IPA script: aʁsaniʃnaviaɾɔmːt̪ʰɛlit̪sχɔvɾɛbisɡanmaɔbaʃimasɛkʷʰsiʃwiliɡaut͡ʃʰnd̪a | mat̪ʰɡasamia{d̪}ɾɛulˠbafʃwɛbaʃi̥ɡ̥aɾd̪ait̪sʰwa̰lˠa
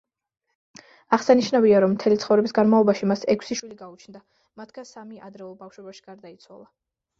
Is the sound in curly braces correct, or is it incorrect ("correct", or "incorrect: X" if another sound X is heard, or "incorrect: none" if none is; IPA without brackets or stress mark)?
correct